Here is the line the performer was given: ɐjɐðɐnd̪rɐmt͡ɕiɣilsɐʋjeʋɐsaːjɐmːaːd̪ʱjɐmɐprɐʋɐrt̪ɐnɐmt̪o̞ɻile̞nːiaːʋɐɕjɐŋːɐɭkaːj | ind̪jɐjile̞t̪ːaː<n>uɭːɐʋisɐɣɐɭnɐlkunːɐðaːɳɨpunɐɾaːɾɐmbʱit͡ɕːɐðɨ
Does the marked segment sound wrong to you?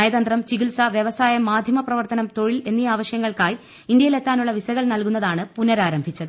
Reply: no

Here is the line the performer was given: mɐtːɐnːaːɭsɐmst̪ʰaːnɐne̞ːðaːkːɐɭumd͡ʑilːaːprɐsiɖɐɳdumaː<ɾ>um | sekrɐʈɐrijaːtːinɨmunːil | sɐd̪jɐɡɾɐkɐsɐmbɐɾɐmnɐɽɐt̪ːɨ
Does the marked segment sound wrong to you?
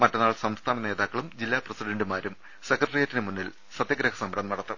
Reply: no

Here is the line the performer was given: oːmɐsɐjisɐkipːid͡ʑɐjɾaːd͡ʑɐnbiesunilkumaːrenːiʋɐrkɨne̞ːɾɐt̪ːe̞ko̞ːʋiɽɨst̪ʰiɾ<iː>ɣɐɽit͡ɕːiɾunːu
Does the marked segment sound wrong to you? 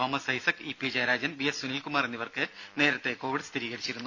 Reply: no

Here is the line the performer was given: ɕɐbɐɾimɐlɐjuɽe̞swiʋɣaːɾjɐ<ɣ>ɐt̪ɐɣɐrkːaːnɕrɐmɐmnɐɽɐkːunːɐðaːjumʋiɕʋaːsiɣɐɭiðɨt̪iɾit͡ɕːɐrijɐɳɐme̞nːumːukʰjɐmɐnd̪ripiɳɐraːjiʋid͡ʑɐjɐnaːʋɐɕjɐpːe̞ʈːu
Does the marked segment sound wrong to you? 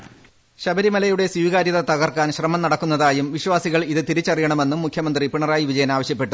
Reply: yes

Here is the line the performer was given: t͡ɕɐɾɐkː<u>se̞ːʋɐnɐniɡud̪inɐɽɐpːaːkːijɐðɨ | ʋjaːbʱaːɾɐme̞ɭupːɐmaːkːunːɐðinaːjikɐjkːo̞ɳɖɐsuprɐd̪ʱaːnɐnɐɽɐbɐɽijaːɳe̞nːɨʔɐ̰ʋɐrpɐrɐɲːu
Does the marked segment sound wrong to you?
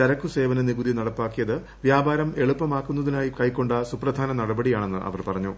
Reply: no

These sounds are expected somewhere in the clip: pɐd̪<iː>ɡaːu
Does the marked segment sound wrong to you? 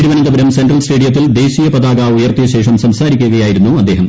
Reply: yes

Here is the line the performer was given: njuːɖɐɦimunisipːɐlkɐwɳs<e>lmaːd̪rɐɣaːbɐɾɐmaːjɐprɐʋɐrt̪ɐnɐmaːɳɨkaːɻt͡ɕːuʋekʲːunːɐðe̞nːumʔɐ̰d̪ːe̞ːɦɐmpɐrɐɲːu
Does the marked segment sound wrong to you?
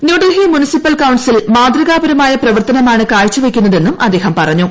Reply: yes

